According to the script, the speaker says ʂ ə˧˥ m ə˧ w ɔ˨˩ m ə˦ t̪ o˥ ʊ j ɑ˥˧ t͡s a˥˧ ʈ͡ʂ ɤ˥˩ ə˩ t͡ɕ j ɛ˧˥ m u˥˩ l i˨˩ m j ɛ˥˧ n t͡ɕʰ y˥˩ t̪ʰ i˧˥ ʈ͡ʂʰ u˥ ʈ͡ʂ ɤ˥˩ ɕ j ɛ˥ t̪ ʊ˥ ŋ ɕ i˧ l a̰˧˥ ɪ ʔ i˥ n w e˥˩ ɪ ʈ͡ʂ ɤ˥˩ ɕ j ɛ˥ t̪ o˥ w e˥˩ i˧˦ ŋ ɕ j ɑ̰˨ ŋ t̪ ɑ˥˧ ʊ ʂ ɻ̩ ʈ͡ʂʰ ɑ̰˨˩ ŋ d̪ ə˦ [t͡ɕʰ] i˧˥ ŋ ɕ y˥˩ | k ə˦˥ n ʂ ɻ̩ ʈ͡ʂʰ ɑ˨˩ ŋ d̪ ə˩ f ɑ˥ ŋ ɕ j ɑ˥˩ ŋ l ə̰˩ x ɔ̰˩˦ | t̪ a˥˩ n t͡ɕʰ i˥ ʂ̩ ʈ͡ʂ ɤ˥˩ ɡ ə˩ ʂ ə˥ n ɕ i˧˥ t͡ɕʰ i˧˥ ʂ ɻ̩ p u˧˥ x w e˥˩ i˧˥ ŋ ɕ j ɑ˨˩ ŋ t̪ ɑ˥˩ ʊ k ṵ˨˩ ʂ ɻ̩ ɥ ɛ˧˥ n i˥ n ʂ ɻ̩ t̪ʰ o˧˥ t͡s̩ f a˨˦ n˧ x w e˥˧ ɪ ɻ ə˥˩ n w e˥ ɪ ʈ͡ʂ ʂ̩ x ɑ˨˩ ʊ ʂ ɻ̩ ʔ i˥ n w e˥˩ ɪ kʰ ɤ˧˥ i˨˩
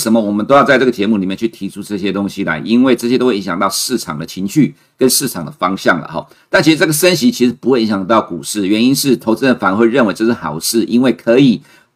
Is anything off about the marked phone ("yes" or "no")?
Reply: no